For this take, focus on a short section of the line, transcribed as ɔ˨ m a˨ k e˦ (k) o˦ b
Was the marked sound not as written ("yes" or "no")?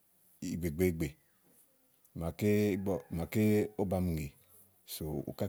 yes